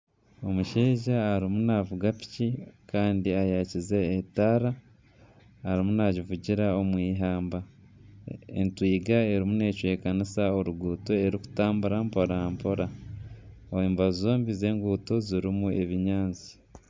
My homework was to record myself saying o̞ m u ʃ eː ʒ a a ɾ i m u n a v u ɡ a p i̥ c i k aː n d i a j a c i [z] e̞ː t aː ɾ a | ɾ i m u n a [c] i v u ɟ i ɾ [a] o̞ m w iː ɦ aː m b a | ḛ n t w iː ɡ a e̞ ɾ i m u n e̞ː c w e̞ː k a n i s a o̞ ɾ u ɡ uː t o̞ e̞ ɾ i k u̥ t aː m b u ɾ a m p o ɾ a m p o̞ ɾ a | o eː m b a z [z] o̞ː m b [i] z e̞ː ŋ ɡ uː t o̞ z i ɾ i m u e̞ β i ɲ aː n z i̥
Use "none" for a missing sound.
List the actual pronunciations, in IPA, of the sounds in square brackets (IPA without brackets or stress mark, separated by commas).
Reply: z, ɟ, a, z, i